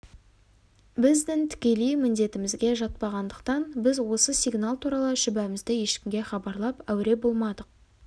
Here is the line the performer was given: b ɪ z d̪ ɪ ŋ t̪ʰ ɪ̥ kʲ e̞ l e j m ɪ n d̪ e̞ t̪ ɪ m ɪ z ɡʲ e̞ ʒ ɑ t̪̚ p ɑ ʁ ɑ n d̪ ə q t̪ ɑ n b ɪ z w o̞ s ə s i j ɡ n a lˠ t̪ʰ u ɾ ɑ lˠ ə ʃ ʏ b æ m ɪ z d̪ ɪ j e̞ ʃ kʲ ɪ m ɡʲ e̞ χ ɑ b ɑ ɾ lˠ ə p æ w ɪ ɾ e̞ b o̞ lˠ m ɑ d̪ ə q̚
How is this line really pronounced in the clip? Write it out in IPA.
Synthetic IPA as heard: b ɪ z d̪ ɪ ŋ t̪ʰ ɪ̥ kʲ e̞ l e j m ɪ n d̪ e̞ t̪ ɪ m ɪ z ɡʲ e̞ ʒ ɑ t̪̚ p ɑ ʁ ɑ n d̪ ə q t̪ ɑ n b ɪ z w o̞ s ə s i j ɡ n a lˠ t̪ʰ u ɾ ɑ lˠ ə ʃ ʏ b æ m ɪ z d̪ ɪ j e̞ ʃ kʲ ɪ m ɡʲ e̞ χ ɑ b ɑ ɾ lˠ ɑ p æ w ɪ ɾ e̞ b o̞ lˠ m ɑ d̪ ə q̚